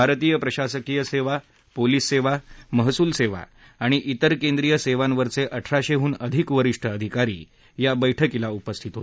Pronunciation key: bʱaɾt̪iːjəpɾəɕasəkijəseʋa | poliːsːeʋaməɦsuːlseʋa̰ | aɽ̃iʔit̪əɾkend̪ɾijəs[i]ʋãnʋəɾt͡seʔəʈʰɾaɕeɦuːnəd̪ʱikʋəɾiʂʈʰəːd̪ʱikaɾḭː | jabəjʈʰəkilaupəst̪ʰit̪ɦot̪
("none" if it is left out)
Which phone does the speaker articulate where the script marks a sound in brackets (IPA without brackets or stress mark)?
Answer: e